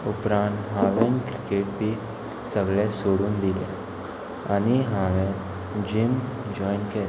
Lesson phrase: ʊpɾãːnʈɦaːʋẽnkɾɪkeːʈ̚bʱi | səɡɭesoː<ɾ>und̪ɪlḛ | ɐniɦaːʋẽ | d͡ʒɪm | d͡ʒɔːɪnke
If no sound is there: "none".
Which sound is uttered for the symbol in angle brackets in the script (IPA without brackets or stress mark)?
ɽ